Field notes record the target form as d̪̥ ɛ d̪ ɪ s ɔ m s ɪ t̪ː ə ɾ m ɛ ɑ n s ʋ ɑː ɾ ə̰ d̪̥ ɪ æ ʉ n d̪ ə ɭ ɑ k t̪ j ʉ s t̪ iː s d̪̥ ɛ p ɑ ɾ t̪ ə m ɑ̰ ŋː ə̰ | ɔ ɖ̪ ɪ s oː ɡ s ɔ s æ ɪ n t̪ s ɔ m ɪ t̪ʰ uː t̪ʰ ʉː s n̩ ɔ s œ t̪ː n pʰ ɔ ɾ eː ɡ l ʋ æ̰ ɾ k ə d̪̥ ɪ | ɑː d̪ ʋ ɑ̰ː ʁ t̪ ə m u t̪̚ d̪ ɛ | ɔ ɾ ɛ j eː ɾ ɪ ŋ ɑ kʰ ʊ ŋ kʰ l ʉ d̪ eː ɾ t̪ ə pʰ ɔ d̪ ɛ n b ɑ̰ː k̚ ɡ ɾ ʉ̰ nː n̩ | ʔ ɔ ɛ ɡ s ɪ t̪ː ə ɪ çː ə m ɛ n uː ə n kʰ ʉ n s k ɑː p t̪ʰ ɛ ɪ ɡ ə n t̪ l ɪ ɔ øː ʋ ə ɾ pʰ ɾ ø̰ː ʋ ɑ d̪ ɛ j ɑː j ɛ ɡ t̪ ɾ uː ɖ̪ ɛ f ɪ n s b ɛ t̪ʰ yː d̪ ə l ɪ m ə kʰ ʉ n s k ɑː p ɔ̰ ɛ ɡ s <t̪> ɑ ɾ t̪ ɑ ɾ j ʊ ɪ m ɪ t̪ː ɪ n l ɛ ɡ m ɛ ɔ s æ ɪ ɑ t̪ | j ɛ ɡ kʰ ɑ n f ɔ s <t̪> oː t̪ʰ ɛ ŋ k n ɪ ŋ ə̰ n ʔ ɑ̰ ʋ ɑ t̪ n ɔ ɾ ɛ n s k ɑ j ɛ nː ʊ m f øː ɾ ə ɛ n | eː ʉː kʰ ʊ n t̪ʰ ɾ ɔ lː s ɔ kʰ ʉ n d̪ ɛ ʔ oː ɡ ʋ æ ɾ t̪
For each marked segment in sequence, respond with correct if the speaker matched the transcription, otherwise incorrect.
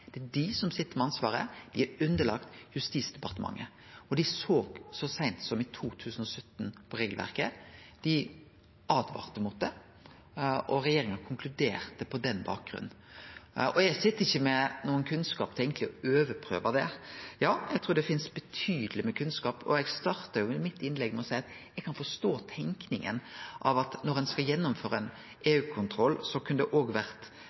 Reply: correct, correct

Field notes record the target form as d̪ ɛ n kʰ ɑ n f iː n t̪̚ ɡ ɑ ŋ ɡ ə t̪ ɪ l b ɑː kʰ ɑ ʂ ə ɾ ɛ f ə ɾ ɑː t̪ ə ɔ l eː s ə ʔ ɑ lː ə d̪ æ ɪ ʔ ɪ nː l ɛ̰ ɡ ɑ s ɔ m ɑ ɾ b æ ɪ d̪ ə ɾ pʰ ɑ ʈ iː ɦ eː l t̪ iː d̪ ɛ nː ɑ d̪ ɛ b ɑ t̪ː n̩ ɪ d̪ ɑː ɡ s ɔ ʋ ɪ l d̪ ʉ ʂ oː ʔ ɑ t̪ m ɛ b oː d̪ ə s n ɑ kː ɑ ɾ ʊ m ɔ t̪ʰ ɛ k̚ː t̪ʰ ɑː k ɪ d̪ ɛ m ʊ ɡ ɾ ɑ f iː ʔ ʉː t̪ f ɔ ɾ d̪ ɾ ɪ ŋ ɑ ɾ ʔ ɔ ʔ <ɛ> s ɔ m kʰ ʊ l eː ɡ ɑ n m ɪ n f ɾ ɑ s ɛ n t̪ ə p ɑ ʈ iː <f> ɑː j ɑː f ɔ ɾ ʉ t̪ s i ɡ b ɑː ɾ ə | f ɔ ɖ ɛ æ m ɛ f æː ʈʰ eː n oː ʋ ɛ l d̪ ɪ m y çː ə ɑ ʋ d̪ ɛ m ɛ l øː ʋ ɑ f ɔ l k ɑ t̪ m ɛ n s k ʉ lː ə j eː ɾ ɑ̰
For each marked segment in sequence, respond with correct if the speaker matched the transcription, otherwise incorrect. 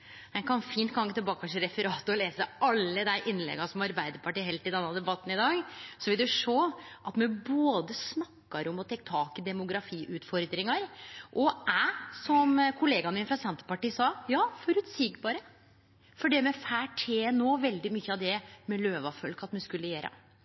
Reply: incorrect, incorrect

